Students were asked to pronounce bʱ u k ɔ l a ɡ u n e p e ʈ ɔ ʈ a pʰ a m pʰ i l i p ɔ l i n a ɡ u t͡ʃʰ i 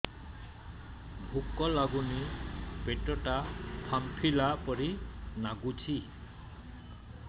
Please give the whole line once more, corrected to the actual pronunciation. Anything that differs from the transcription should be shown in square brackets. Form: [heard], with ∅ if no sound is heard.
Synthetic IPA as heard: bʱ u k ɔ l a ɡ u n [i] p e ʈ ɔ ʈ a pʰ a m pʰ i l [a] p ɔ [ɾ] i n a ɡ u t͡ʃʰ i